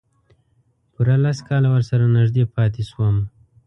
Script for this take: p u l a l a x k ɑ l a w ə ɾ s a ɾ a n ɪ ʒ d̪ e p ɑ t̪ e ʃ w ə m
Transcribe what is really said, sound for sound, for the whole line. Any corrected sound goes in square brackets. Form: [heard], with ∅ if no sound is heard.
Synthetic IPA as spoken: p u [ɾ] a l a [s] k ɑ l a w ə ɾ s a ɾ a n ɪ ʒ d̪ e p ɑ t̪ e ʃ w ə m